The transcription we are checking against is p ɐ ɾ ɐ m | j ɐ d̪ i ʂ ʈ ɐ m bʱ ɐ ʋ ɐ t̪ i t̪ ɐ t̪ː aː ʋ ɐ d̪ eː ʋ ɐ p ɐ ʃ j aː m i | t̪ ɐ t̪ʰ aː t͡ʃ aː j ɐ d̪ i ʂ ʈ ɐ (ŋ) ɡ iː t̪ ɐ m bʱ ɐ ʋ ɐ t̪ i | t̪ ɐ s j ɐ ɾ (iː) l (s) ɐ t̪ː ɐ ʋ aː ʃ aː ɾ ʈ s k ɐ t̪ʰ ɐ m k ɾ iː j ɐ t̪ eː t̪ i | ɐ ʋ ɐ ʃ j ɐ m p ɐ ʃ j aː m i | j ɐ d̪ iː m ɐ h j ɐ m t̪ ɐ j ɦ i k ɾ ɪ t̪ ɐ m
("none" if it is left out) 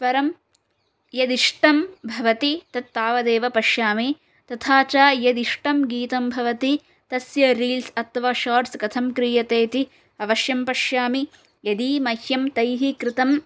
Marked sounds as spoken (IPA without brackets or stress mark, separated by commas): m, iː, s